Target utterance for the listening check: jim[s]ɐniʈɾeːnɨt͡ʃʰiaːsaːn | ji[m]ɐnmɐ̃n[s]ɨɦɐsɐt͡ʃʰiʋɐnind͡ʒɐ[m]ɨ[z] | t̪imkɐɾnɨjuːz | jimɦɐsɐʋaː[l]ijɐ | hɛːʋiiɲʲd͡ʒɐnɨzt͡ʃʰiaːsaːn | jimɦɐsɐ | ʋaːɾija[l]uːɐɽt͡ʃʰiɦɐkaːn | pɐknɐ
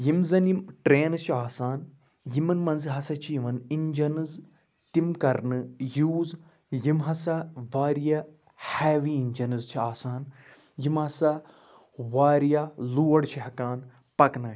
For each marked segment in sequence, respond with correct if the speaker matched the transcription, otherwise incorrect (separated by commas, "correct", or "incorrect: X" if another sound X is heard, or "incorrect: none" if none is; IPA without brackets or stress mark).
incorrect: z, correct, incorrect: z, incorrect: n, correct, incorrect: ɾ, correct